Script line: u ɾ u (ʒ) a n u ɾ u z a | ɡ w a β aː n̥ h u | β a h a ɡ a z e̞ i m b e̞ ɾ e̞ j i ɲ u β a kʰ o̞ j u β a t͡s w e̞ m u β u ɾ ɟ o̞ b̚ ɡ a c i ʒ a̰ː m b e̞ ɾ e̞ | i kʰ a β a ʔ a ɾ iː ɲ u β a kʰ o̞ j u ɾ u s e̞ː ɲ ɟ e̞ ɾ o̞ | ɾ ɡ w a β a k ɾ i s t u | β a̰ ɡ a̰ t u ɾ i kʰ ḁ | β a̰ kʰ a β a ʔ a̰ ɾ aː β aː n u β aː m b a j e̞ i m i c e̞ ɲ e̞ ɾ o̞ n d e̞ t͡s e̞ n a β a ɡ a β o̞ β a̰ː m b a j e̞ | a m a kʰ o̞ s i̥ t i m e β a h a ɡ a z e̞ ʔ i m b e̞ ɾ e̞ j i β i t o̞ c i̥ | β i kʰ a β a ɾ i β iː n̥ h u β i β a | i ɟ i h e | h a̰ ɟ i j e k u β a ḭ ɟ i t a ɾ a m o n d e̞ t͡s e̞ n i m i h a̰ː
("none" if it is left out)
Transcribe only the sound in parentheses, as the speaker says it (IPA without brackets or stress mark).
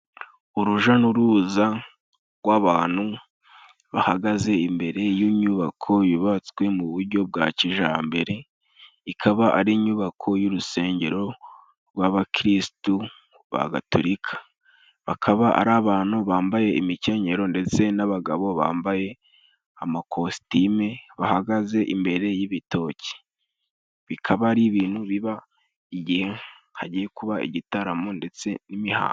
ʒ